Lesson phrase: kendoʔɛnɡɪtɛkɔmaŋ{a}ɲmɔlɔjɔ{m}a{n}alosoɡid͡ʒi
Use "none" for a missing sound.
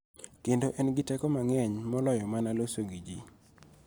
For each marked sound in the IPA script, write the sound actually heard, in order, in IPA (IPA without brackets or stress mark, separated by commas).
ɛ, m, n